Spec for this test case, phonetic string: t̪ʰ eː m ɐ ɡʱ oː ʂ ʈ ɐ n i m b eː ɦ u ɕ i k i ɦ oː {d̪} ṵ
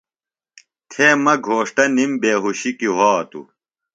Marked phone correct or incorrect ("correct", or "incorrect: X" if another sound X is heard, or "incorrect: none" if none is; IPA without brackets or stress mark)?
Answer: incorrect: t̪